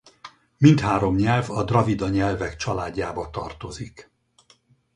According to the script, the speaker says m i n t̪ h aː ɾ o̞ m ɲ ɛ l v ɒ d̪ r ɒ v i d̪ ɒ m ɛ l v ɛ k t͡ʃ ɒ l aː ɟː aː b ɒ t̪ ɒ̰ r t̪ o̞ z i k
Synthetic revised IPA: m i n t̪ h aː ɾ o̞ m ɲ ɛ l v ɒ d̪ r ɒ v i d̪ ɒ ɲ ɛ l v ɛ k t͡ʃ ɒ l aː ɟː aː b ɒ t̪ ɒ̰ r t̪ o̞ z i k